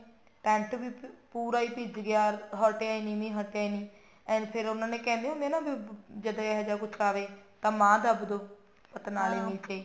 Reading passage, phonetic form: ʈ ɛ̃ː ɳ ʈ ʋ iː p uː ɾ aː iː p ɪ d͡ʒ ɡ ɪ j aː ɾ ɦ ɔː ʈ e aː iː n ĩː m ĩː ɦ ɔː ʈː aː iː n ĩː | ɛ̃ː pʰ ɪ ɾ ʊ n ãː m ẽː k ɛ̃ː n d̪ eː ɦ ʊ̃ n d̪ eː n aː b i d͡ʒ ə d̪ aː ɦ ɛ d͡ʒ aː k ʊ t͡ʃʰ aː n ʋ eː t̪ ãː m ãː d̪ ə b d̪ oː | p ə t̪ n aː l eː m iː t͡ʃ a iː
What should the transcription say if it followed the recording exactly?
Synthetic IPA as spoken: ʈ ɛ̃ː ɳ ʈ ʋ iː p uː ɾ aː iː p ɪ d͡ʒ ɡ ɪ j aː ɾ ɦ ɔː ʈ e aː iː n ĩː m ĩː ɦ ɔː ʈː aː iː n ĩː | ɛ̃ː pʰ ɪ ɾ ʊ n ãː n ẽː k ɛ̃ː n d̪ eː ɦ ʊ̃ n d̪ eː n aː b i d͡ʒ ə d̪ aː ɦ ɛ d͡ʒ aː k ʊ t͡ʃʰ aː ʋ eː t̪ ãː m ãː d̪ ə b d̪ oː | p ə t̪ n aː l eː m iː t͡ʃ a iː